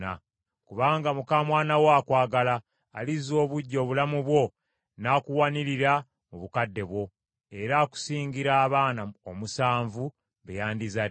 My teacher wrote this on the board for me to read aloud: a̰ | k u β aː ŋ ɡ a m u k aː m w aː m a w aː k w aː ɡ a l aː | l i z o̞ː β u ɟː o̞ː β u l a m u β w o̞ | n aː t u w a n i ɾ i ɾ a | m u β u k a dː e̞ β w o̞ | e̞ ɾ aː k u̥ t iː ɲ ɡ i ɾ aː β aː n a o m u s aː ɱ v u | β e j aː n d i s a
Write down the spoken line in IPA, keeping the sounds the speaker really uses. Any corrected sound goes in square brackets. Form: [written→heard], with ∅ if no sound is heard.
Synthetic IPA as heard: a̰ | k u β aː ŋ ɡ a m u k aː m w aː [m→n] a w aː k w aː ɡ a l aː | l i z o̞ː β u ɟː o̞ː β u l a m u β w o̞ | n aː [t→k] u w a n i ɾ i ɾ a | m u β u k a dː e̞ β w o̞ | e̞ ɾ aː k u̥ [t→s] iː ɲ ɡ i ɾ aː β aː n a o m u s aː ɱ v u | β e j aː n d i [s→z] a